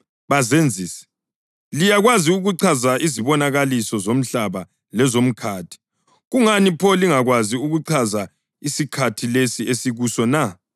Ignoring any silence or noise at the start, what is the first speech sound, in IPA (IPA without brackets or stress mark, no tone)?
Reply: β